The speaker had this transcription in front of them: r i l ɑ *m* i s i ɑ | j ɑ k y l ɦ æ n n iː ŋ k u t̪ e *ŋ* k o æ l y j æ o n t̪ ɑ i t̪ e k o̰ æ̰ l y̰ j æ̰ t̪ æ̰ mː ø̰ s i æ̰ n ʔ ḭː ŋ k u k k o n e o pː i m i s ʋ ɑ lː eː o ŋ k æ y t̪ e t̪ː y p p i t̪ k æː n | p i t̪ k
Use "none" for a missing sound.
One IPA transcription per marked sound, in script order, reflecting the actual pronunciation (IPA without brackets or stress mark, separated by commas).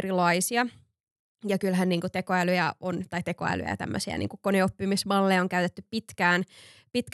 none, none